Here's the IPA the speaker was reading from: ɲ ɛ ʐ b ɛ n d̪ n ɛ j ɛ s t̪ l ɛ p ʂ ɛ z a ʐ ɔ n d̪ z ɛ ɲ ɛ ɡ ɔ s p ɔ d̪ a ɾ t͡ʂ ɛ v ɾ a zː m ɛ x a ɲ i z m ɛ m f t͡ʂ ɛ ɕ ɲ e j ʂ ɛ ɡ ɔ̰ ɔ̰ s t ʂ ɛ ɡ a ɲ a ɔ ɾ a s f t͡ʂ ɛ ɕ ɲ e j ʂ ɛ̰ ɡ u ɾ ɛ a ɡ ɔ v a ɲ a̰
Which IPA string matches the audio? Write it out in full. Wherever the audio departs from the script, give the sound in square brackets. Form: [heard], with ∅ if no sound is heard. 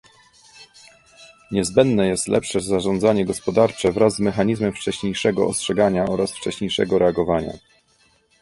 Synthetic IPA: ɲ ɛ [z] b ɛ n d̪ n ɛ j ɛ s t̪ l ɛ p ʂ ɛ z a ʐ ɔ n d̪ z [a] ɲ ɛ ɡ ɔ s p ɔ d̪ a ɾ t͡ʂ ɛ v ɾ a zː m ɛ x a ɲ i z m ɛ m f t͡ʂ ɛ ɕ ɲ e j ʂ ɛ ɡ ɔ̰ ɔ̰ s t ʂ ɛ ɡ a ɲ a ɔ ɾ a s f t͡ʂ ɛ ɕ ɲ e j ʂ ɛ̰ ɡ [ɔ] ɾ ɛ a ɡ ɔ v a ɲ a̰